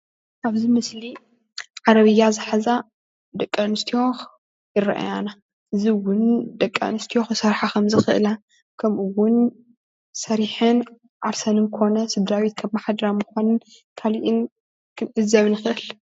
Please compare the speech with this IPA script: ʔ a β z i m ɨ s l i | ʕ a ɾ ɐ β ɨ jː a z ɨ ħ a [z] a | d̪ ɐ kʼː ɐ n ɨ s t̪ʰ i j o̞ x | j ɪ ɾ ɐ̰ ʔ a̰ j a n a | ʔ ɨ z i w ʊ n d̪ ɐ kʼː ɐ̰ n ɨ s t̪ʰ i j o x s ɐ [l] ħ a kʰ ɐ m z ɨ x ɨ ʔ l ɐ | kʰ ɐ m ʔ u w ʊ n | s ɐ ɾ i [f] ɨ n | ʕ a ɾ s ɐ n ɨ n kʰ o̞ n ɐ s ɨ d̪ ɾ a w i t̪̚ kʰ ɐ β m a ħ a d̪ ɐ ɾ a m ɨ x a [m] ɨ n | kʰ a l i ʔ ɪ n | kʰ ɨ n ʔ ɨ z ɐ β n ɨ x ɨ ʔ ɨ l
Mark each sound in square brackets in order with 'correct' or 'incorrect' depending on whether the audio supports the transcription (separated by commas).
correct, incorrect, incorrect, incorrect